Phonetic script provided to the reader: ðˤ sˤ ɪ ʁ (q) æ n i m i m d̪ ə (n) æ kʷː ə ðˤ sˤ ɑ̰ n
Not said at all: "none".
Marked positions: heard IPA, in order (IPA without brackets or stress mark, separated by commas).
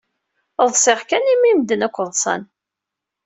k, n